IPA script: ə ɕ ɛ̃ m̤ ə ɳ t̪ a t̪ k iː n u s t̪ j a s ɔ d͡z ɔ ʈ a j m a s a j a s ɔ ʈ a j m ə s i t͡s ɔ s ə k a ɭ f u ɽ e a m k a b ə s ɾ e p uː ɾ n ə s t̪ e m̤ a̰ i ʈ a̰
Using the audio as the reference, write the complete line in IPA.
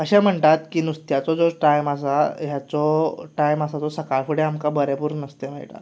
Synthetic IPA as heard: ə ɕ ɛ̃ m̤ ə ɳ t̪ a t̪ k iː n u s t̪ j a t͡s ɔ d͡z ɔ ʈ a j m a s a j a t͡s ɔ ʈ a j m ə s a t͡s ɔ s ə k a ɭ f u ɽ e a m k a b ə ɾ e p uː ɾ n ə s t̪ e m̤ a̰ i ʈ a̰